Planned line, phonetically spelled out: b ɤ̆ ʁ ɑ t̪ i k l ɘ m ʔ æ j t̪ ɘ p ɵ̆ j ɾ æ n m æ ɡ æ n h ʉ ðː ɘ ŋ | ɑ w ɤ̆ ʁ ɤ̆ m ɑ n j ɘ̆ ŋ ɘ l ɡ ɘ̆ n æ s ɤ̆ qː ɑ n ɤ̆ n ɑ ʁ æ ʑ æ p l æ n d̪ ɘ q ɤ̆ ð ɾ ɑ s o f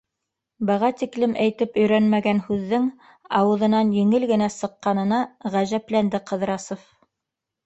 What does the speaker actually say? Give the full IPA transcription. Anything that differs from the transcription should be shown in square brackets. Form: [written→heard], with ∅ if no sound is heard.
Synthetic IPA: b ɤ̆ ʁ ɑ t̪ i k l ɘ m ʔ æ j t̪ ɘ p ɵ̆ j ɾ æ n m æ ɡ æ n h ʉ ðː ɘ ŋ | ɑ w ɤ̆ [ʁ→ð] ɤ̆ [m→n] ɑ n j ɘ̆ ŋ ɘ l ɡ ɘ̆ n æ s ɤ̆ qː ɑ n ɤ̆ n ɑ ʁ æ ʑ æ p l æ n d̪ ɘ q ɤ̆ ð ɾ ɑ s o f